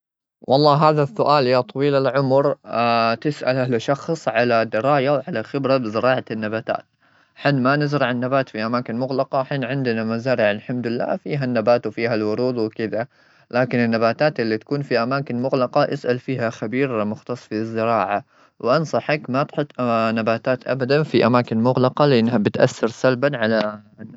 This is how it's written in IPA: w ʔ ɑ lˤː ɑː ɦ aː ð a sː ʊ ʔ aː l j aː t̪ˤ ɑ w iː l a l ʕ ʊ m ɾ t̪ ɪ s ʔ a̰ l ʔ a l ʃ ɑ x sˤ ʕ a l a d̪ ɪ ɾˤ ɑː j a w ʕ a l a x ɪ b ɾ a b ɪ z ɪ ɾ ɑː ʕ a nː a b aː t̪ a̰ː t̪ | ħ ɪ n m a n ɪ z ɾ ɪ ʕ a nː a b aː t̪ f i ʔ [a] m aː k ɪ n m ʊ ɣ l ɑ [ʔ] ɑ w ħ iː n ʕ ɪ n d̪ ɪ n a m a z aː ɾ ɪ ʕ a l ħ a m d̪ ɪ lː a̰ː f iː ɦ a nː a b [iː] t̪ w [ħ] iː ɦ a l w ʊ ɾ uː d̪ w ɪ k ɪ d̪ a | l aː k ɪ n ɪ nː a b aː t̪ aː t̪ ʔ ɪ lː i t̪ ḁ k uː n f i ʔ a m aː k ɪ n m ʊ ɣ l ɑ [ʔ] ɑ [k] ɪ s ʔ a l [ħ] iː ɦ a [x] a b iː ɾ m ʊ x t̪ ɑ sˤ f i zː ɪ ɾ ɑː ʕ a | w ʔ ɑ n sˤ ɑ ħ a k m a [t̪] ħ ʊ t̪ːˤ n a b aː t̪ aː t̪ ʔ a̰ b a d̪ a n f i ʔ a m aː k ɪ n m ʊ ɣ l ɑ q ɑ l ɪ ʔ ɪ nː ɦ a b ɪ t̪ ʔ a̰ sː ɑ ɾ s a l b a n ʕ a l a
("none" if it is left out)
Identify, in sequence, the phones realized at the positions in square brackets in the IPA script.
a, q, aː, f, q, ʔ, f, x, t̪

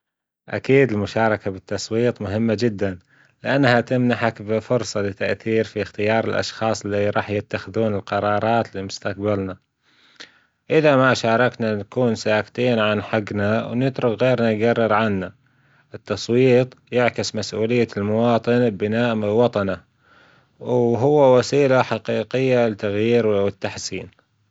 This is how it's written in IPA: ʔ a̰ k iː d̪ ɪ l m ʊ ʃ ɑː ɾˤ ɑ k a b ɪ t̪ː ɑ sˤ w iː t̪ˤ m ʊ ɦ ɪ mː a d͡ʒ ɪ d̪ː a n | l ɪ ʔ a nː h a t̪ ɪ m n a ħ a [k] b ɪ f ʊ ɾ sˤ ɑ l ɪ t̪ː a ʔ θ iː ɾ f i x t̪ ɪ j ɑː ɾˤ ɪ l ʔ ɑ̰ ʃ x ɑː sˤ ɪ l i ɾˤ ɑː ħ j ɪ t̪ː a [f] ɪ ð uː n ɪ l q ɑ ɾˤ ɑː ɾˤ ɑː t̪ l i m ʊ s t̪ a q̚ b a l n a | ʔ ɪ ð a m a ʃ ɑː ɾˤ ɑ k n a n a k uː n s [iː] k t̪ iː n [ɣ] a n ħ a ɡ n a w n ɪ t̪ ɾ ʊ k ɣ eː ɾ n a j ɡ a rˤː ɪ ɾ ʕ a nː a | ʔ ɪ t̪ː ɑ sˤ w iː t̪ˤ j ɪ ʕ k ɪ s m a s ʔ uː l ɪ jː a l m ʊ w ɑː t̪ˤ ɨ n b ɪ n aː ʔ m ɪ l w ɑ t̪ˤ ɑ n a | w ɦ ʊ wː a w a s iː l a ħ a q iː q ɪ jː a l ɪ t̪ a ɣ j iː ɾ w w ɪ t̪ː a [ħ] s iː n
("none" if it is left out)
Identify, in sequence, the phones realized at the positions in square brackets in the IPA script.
k, x, aː, ʕ, ħ

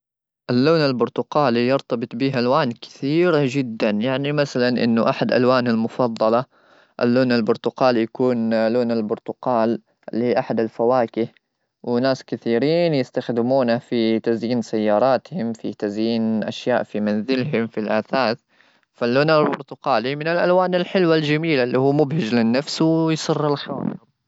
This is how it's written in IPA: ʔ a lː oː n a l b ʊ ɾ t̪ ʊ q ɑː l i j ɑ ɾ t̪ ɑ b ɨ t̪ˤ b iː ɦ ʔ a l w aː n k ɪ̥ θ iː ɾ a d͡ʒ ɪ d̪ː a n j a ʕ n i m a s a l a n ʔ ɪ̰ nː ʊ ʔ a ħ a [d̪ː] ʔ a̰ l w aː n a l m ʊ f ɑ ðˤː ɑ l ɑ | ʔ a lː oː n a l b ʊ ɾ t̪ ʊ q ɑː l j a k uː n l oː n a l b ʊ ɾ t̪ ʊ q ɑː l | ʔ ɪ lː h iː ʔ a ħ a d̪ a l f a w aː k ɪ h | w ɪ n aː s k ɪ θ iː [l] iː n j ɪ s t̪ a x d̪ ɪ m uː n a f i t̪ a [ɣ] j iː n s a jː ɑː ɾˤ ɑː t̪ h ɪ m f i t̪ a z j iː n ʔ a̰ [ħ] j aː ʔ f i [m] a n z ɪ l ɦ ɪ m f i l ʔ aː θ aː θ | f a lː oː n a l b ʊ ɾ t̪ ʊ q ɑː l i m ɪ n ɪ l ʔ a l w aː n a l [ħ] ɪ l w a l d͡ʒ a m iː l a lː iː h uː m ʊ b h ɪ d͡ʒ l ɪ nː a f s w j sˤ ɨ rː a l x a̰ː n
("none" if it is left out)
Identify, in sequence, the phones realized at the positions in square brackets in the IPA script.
d̪, ɾ, z, ʃ, m, ħ

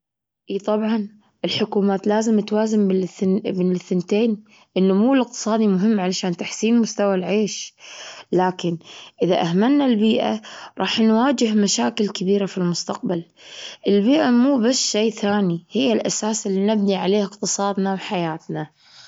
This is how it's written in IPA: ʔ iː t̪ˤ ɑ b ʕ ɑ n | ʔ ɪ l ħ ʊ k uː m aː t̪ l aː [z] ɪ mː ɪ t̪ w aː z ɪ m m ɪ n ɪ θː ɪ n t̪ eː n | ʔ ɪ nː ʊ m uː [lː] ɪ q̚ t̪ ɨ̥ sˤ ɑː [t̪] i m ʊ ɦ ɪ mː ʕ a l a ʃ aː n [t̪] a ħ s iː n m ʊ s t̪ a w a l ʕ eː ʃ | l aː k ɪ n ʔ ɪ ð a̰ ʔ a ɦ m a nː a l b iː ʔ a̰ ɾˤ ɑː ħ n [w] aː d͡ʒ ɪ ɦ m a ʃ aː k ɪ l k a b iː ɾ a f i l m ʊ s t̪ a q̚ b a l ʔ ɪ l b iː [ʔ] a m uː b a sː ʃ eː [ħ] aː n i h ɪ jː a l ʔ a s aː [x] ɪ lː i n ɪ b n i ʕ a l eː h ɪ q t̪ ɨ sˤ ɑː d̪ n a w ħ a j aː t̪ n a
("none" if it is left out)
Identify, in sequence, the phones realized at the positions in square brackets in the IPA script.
z, l, d̪, t̪, w, ʔ, θ, s

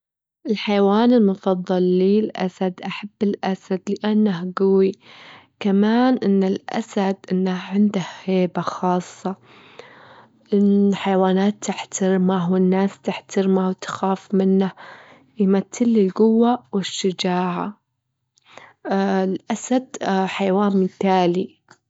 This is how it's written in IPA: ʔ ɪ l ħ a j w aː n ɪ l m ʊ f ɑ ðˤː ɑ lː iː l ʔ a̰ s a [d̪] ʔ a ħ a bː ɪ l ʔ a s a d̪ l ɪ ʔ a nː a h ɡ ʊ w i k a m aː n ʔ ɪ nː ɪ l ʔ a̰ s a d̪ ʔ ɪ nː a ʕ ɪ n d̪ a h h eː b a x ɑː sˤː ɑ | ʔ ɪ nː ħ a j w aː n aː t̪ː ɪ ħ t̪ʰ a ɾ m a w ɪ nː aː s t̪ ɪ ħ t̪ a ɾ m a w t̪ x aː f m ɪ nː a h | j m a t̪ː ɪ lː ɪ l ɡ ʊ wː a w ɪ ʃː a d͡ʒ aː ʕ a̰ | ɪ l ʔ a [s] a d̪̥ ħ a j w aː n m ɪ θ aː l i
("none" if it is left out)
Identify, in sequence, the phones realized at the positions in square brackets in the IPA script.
d̪, s

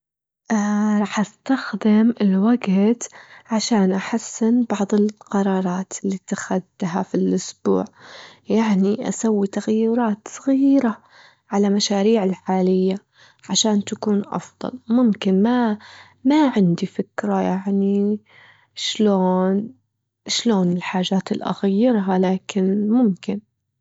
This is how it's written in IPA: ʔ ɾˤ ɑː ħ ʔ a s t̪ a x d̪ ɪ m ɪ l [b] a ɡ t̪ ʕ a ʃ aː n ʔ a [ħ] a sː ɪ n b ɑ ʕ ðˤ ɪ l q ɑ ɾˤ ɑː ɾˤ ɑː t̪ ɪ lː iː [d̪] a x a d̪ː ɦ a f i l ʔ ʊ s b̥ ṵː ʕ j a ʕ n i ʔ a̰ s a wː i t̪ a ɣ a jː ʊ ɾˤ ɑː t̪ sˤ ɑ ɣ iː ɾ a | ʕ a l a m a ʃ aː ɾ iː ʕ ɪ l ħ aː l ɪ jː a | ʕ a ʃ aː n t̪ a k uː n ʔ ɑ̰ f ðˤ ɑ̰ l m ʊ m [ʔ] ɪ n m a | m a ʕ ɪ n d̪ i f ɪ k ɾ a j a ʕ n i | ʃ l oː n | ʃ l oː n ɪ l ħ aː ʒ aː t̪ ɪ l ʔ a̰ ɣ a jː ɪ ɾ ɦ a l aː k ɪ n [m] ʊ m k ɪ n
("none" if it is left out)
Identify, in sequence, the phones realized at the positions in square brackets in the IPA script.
w, ħ, t̪, k, m

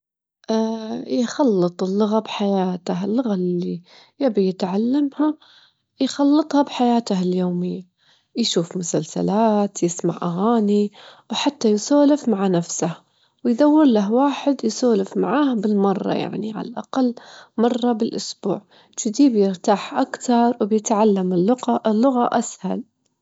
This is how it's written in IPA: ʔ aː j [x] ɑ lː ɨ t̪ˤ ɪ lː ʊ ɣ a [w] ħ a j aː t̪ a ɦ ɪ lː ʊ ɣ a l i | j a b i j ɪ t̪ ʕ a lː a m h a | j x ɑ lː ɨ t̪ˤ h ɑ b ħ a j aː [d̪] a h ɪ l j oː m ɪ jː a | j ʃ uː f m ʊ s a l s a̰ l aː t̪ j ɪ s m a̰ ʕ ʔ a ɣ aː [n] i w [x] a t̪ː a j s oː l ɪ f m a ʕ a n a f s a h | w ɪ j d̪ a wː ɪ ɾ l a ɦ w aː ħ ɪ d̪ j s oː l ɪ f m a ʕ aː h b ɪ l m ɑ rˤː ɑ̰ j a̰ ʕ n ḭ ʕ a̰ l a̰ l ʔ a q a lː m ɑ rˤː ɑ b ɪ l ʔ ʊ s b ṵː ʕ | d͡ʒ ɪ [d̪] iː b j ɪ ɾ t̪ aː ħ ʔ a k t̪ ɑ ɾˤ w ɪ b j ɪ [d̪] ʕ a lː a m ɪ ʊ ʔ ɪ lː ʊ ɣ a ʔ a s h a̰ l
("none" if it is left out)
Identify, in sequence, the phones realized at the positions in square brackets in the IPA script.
x, b, t̪, n, ħ, d̪, t̪

